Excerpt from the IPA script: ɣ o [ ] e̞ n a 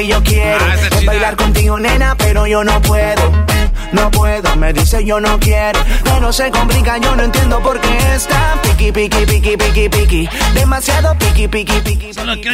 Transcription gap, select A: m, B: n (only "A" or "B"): B